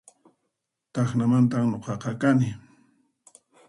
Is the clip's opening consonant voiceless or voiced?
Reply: voiceless